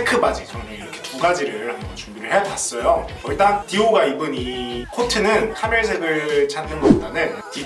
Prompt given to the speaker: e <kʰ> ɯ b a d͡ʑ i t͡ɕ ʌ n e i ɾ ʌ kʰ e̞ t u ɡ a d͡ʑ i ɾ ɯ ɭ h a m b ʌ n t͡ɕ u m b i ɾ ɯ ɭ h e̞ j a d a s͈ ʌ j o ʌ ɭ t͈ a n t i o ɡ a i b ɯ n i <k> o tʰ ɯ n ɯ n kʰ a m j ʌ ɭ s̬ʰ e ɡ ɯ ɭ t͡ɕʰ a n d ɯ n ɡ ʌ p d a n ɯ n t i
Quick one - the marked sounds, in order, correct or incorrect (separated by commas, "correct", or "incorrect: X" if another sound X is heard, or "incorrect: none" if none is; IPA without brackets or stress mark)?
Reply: correct, incorrect: kʰ